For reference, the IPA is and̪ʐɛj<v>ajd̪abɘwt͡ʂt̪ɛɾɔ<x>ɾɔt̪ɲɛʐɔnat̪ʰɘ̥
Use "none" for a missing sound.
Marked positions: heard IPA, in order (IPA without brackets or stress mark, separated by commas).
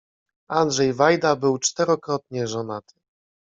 v, k